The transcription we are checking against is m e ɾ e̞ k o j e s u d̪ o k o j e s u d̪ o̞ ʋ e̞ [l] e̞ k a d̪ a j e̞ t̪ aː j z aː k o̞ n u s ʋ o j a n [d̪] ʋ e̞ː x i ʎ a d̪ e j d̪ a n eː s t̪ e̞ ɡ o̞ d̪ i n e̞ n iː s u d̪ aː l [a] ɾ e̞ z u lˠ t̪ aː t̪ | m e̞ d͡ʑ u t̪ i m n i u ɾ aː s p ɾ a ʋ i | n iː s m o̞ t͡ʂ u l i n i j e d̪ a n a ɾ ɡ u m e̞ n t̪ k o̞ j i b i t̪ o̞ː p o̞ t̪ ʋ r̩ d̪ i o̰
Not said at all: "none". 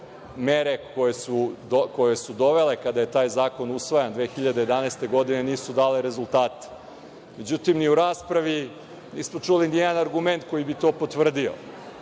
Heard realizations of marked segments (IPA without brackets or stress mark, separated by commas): l, d̪, e